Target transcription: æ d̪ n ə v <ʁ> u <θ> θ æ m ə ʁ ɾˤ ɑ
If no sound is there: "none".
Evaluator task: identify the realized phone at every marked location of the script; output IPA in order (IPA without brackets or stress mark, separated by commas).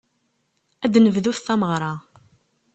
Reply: ð, θ